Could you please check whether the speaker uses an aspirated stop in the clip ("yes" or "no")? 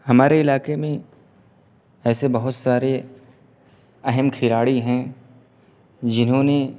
yes